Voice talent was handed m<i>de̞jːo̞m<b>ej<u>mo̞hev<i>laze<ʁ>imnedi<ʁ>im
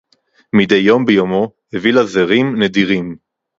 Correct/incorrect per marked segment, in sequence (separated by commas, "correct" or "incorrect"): correct, correct, incorrect, correct, correct, correct